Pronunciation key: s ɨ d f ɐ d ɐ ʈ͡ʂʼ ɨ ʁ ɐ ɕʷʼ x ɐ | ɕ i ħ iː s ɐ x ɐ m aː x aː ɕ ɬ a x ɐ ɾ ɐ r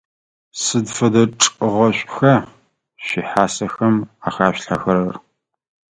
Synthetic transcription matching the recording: s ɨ d f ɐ d ɐ ʈ͡ʂʼ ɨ ʁ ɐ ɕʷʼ x ɐ | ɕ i ħ aː s ɐ x ɐ m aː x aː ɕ ɬ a x ɐ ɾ ɐ r